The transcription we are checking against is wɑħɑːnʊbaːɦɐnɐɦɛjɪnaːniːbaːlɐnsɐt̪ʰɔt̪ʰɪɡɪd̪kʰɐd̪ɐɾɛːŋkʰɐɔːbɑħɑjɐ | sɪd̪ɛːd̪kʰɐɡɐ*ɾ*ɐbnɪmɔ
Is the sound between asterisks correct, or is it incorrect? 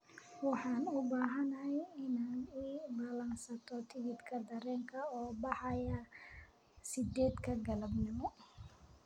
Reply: incorrect